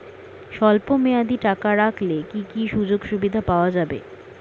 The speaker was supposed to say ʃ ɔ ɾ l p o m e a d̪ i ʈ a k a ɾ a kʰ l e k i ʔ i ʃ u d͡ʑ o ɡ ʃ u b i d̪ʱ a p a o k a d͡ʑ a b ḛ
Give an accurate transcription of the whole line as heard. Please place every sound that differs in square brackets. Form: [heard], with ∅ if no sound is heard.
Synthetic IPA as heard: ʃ ɔ [∅] l p o m e a d̪ i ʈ a k a ɾ a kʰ l e k i [k] i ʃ u d͡ʑ o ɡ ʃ u b i d̪ʱ a p a o [∅] a d͡ʑ a b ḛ